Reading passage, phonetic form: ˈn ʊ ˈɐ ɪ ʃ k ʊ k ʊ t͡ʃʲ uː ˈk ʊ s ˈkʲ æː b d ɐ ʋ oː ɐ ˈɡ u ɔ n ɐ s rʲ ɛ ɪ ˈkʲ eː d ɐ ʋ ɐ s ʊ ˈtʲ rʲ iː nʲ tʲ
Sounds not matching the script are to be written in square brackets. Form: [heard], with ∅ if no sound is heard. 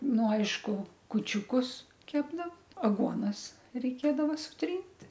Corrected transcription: ˈn ʊ ˈɐ ɪ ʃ k ʊ k ʊ t͡ʃʲ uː ˈk ʊ s ˈkʲ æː b d ɐ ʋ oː ɐ ˈɡ u ɔ n ɐ s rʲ ɛ ɪ ˈkʲ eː d ɐ ʋ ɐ s ʊ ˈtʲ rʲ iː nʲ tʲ

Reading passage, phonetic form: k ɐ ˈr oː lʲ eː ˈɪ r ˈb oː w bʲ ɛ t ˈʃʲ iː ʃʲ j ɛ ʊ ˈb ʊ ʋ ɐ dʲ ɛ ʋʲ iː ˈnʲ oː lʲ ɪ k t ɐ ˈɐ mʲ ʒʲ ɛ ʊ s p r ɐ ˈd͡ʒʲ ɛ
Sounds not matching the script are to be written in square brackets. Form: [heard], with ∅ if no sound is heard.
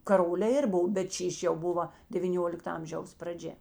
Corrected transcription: k ɐ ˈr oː lʲ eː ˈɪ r ˈb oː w bʲ ɛ t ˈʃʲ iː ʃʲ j ɛ ʊ ˈb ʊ ʋ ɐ dʲ ɛ ʋʲ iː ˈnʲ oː lʲ ɪ k t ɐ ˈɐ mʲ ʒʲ ɛ ʊ s p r ɐ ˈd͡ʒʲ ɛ

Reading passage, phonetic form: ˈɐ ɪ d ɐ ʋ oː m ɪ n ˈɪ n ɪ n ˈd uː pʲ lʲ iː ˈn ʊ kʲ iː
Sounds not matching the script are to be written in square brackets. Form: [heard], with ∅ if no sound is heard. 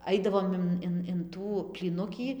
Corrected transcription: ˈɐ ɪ d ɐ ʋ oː m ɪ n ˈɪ n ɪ n [ˈt] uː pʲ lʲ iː ˈn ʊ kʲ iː

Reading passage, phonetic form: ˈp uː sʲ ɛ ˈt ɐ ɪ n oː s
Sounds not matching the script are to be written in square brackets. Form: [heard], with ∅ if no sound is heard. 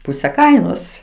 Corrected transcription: ˈp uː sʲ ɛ [ˈk] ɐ ɪ n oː s

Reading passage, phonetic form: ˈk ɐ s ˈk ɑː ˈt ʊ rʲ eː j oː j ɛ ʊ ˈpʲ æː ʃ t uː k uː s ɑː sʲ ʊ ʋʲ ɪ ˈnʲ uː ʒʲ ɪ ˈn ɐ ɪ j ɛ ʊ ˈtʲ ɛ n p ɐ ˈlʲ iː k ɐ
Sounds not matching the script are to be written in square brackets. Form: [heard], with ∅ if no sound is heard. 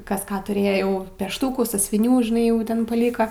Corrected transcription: ˈk ɐ s ˈk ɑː ˈt ʊ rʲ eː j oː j ɛ ʊ ˈpʲ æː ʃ t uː k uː s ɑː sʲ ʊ ʋʲ ɪ ˈnʲ uː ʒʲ ɪ ˈn ɐ ɪ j ɛ ʊ ˈtʲ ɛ n p ɐ ˈlʲ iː k ɐ

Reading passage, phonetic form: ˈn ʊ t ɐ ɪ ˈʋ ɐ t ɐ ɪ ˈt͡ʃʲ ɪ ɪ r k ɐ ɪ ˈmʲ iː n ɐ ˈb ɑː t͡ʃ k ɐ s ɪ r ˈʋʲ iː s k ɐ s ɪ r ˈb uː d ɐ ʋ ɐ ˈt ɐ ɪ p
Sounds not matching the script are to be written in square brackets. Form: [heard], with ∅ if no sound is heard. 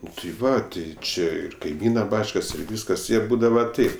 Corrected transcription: ˈn ʊ t ɐ ɪ ˈʋ ɐ t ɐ ɪ ˈt͡ʃʲ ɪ ɪ r k ɐ ɪ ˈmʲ iː n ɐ ˈb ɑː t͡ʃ k ɐ s ɪ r ˈʋʲ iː s k ɐ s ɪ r ˈb uː d ɐ ʋ ɐ ˈt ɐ ɪ p

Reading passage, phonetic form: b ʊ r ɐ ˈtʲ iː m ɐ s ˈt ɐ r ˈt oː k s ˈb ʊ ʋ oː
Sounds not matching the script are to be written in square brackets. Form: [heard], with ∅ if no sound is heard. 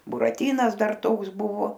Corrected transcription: b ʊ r ɐ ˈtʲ iː [n] ɐ s [ˈd] ɐ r ˈt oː k s ˈb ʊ ʋ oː

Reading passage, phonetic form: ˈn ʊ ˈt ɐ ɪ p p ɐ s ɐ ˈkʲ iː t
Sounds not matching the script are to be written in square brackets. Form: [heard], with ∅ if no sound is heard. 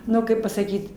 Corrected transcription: ˈn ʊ [ˈk] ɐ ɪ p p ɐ s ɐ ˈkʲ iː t

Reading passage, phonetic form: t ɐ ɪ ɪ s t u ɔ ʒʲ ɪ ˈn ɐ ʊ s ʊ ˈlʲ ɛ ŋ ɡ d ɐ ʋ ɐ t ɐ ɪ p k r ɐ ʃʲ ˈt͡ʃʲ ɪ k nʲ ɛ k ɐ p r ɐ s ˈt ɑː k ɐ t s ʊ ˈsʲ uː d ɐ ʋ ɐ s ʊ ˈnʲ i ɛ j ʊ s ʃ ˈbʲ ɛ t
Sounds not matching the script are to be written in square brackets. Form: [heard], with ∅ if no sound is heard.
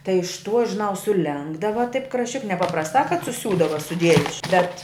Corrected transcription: t ɐ ɪ ɪ [ʃ] t u ɔ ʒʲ ɪ ˈn ɐ ʊ s ʊ ˈlʲ ɛ ŋ ɡ d ɐ ʋ ɐ t ɐ ɪ p k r ɐ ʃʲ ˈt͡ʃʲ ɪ k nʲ ɛ [p] ɐ p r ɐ s ˈt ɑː k ɐ t s ʊ ˈsʲ uː d ɐ ʋ ɐ s ʊ [ˈdʲ] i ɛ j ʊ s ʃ ˈbʲ ɛ t

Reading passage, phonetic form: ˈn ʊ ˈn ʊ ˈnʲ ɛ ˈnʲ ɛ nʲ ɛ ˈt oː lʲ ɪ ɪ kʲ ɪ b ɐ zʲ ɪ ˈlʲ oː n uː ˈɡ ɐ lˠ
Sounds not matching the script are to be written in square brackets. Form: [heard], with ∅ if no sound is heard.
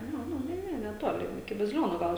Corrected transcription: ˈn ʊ ˈn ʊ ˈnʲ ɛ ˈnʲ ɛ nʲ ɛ ˈt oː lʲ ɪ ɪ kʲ ɪ b ɐ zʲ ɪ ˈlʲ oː n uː ˈɡ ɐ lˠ

